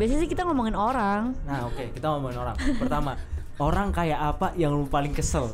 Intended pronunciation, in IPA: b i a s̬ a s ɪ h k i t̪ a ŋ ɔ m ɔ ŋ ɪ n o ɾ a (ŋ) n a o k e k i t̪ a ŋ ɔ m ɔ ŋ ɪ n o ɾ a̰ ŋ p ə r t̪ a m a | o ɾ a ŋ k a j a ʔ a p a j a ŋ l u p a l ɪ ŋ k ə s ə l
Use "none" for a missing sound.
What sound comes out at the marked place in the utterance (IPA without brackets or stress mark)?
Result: ŋ